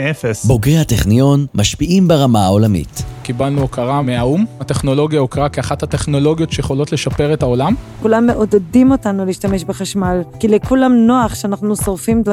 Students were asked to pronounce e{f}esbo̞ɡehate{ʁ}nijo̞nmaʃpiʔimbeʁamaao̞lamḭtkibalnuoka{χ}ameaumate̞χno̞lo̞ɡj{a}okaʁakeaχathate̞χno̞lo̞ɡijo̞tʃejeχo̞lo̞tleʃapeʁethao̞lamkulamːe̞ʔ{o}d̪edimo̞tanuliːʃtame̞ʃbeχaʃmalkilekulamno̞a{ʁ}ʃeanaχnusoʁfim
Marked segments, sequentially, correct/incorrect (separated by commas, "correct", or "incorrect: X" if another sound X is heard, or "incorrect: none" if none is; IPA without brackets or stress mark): correct, incorrect: χ, incorrect: ʁ, correct, correct, incorrect: χ